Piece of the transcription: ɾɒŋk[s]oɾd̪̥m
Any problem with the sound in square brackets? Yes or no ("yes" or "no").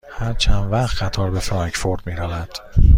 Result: yes